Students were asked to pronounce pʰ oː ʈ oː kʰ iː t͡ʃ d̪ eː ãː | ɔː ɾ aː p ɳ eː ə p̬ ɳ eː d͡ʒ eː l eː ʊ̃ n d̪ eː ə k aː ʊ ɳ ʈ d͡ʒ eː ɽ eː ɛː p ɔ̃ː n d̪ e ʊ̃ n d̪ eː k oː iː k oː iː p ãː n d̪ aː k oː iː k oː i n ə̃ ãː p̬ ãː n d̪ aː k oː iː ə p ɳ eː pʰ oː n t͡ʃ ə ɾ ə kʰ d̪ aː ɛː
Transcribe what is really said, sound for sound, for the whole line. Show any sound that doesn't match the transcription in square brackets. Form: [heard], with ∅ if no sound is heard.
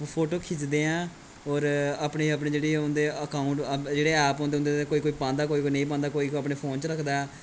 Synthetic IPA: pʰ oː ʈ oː kʰ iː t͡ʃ d̪ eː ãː | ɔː ɾ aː p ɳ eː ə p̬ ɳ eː d͡ʒ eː [ɽ] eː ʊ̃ n d̪ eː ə k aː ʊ ɳ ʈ d͡ʒ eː ɽ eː ɛː p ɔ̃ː n d̪ e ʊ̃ n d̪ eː k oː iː k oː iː p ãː n d̪ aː k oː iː k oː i n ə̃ [ĩː] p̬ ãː n d̪ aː k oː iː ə p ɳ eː pʰ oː n t͡ʃ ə ɾ ə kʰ d̪ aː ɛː